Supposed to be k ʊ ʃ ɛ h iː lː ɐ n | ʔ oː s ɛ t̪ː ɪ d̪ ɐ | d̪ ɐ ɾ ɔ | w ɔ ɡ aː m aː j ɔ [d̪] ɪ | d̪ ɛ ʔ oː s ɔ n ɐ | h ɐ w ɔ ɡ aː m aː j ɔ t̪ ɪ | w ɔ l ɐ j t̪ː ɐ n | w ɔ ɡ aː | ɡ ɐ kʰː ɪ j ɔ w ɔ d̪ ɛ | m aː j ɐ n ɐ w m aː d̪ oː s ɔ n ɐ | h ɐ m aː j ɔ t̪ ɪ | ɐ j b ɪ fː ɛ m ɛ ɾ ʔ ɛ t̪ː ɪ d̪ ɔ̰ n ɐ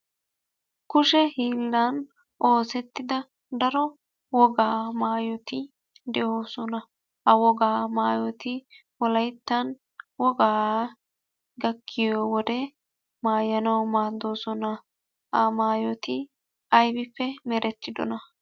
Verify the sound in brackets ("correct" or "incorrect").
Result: incorrect